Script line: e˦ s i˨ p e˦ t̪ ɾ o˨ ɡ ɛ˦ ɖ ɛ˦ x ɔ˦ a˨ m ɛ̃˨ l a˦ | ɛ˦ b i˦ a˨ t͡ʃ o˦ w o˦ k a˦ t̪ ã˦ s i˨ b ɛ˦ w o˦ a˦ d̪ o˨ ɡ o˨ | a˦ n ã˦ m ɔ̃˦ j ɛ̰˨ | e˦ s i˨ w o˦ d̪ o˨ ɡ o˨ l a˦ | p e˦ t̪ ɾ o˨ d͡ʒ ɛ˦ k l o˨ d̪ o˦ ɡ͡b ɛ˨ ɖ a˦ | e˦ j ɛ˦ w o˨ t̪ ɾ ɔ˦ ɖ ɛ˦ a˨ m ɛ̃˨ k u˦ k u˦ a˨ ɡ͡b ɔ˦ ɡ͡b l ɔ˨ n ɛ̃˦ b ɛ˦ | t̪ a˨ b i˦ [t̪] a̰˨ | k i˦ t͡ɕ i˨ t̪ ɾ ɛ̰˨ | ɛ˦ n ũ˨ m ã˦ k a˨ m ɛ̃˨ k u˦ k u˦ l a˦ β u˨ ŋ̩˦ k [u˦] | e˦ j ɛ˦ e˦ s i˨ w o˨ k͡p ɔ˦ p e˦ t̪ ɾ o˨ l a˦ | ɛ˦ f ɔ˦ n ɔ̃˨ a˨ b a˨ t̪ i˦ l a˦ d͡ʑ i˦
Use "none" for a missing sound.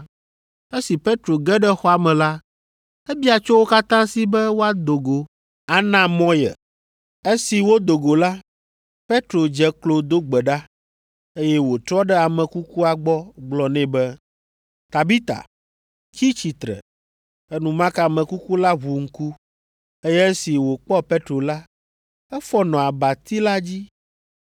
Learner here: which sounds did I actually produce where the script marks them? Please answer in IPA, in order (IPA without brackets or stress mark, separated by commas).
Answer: t̪, u˦